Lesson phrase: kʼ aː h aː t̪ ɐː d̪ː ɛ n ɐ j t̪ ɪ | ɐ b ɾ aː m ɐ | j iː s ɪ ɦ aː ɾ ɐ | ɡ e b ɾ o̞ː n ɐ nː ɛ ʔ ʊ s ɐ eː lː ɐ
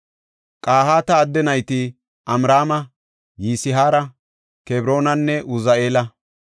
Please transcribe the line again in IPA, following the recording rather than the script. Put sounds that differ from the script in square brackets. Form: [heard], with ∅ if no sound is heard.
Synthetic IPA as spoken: kʼ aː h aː t̪ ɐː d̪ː ɛ n ɐ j t̪ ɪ | ɐ [m] ɾ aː m ɐ | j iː s ɪ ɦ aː ɾ ɐ | [k] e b ɾ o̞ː n ɐ nː ɛ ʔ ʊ [z] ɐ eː [l] ɐ